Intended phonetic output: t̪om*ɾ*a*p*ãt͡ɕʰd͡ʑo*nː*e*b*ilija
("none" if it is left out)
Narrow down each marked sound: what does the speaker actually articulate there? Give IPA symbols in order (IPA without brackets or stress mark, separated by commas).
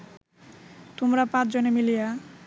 ɾ, p, n, m